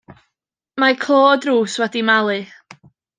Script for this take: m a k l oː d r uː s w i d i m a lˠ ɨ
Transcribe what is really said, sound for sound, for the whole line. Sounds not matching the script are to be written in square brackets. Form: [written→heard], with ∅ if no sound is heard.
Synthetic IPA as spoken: m a [k→kʰ] l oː d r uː s w [i→ɛ] d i m a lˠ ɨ